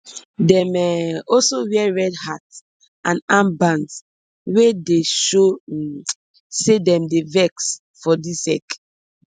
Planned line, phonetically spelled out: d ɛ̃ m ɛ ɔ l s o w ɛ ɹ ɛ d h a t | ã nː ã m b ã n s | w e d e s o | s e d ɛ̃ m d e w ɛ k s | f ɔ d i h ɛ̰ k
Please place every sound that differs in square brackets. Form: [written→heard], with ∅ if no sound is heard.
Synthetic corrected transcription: d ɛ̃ m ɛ ɔ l s o w ɛ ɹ ɛ d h a t | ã [nː→n] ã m b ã n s | w e d e [s→ʃ] o | s e d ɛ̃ m d e [w→v] ɛ k s | f ɔ d i [h→s] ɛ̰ k